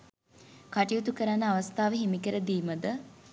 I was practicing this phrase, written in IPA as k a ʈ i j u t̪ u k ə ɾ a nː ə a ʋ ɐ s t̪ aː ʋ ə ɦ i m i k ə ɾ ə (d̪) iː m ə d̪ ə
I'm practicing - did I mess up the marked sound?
no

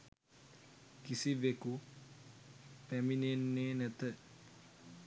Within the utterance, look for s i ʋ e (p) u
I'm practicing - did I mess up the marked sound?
yes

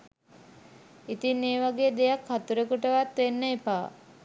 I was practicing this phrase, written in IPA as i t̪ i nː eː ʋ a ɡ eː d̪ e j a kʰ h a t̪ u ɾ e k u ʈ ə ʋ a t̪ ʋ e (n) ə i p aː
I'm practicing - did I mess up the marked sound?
yes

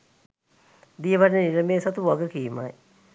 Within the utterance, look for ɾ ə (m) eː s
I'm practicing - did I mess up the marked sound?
no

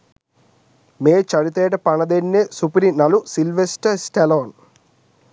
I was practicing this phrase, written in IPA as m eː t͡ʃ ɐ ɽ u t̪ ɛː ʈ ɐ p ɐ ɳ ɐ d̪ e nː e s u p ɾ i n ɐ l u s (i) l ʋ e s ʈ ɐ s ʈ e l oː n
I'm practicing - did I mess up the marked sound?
no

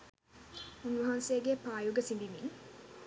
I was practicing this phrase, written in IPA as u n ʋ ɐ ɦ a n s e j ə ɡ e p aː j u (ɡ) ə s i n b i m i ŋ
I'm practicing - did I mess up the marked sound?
no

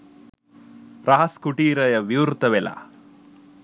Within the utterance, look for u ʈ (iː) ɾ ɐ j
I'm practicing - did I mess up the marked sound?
no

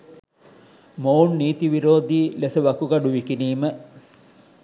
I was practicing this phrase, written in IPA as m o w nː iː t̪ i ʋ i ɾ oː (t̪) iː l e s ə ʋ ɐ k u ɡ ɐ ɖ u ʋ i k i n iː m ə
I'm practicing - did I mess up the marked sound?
yes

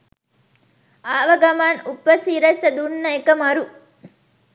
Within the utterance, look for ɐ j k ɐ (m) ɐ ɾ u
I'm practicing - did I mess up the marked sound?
no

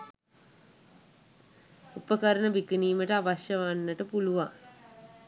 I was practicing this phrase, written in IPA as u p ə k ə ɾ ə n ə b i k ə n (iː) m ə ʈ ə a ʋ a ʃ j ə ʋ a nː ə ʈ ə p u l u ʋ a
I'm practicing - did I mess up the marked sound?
no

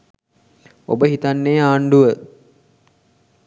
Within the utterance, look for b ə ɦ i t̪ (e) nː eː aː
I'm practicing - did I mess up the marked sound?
yes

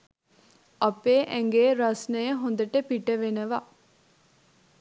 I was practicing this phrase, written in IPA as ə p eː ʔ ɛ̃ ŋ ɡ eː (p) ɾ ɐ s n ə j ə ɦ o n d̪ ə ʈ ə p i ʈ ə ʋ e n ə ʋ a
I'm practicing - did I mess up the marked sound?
yes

